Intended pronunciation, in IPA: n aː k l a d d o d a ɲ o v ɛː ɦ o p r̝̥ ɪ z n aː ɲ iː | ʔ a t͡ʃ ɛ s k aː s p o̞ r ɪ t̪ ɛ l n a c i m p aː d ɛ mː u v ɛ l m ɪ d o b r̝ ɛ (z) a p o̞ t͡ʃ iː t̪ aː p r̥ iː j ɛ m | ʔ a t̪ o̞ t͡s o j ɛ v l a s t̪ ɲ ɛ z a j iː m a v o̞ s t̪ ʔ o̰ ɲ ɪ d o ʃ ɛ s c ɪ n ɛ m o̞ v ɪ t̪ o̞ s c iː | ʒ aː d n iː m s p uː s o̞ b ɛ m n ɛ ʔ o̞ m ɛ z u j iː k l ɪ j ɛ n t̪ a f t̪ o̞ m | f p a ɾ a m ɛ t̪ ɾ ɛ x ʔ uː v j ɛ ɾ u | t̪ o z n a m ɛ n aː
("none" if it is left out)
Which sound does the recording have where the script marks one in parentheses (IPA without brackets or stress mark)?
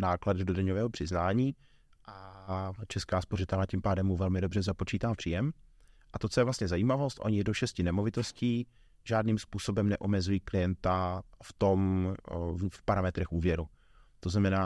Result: z